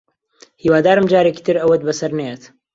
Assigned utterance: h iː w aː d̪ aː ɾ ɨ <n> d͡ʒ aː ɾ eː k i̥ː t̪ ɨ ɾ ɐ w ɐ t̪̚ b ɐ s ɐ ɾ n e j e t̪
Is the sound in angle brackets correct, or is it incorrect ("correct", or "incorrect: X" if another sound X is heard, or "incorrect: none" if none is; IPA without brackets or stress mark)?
incorrect: m